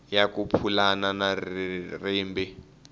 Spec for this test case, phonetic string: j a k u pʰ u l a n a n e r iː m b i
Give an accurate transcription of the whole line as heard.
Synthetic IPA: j a k u pʰ u l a n a n a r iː m b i